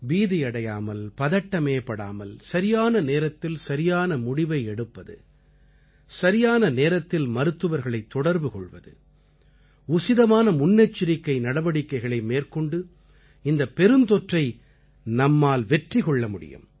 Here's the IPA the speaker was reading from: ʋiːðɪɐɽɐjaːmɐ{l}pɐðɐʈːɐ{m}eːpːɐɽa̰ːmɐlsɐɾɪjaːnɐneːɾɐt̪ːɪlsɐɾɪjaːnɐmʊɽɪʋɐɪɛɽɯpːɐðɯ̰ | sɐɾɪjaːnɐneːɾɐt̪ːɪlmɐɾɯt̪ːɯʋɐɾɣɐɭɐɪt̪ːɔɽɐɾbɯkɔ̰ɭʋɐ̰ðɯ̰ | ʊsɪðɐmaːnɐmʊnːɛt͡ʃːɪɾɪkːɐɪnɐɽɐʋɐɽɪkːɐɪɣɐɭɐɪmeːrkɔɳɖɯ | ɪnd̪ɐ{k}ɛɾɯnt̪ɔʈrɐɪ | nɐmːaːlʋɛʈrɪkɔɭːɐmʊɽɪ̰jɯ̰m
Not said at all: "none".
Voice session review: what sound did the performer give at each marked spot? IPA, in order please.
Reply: l, m, p

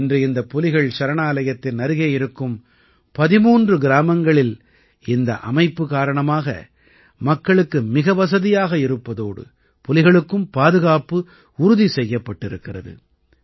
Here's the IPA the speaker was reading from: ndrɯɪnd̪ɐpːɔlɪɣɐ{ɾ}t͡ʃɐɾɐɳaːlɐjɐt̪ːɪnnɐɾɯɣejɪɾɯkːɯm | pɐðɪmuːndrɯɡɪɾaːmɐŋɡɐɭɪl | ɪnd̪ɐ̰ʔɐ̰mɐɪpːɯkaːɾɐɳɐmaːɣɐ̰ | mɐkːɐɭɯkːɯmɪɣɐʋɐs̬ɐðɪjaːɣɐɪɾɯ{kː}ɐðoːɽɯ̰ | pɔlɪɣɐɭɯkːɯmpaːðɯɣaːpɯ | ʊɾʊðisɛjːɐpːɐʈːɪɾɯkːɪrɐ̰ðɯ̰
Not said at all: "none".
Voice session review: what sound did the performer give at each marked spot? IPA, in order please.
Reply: ɭ, pː

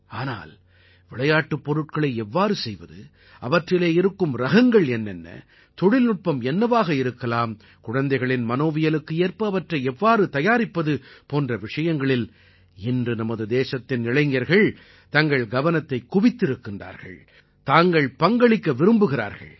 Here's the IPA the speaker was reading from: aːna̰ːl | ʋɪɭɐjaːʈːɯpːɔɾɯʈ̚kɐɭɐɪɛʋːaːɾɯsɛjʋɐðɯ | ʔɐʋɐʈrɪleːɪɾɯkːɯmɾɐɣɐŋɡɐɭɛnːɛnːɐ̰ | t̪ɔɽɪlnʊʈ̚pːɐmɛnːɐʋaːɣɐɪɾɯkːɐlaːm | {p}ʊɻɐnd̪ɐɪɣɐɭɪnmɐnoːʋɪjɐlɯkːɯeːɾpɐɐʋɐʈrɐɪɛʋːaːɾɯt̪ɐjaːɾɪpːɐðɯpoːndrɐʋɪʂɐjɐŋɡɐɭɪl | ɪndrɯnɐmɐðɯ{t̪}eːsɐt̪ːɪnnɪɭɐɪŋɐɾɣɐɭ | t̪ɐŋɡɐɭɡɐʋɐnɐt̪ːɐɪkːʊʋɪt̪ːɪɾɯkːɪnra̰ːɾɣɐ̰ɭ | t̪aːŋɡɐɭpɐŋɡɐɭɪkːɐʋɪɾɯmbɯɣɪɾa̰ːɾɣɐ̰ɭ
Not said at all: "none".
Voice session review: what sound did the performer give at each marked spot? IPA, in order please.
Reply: k, d̪

